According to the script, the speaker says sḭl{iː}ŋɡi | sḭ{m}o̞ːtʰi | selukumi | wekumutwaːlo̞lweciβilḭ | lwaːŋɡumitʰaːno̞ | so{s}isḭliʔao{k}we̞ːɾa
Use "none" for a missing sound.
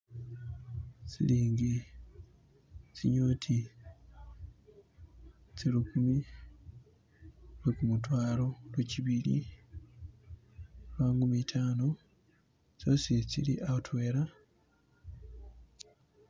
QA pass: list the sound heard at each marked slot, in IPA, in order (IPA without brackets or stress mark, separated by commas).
iː, ɲ, s, t